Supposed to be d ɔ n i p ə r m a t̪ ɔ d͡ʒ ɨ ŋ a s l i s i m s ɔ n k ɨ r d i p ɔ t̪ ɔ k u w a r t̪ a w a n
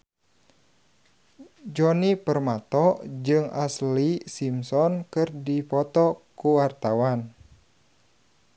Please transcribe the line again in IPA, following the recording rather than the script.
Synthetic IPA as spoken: d͡ʒ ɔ n i p ə r m a t̪ ɔ d͡ʒ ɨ ŋ a s l i s i m s ɔ n k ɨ r d i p ɔ t̪ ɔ k u w a r t̪ a w a n